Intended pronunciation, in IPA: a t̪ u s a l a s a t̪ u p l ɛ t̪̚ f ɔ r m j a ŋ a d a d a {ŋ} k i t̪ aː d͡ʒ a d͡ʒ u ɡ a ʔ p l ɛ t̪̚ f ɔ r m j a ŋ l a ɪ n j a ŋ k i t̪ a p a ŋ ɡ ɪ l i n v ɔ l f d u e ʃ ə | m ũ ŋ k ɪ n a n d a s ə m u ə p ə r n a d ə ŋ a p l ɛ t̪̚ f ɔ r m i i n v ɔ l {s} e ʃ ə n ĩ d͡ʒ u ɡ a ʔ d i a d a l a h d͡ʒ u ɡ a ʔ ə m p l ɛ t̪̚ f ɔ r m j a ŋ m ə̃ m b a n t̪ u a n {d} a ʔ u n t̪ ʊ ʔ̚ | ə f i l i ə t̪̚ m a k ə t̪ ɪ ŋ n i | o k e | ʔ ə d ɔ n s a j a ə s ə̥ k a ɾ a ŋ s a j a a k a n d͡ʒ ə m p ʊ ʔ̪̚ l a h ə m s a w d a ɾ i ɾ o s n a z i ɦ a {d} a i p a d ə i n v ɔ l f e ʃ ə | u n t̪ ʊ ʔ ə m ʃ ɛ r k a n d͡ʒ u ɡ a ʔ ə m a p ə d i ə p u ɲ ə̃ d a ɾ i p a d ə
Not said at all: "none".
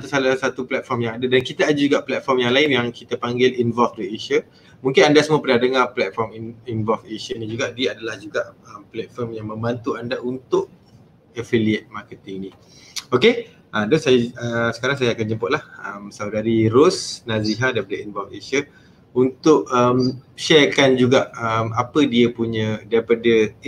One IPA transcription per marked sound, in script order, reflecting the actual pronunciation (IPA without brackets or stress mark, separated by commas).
n, f, d, d